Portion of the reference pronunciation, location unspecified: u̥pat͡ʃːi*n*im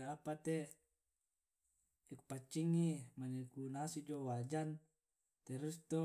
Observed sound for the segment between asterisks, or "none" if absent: ŋ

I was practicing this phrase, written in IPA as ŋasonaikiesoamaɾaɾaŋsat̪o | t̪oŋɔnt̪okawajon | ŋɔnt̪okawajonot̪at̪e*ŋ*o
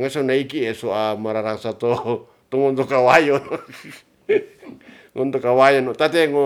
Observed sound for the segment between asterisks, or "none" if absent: ŋ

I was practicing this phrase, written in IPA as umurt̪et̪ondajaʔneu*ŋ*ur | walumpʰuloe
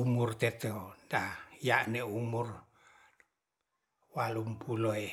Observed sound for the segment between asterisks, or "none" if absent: m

